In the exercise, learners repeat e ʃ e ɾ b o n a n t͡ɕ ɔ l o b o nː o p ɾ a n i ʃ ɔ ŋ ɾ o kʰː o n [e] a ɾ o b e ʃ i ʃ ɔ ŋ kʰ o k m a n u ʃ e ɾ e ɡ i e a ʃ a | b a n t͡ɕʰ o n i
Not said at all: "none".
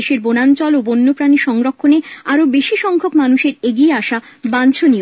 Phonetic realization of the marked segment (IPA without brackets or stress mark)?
e